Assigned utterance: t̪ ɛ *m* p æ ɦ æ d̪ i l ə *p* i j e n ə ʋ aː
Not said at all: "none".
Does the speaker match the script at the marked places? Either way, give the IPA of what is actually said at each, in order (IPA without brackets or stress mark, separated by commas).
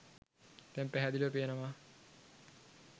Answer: m, p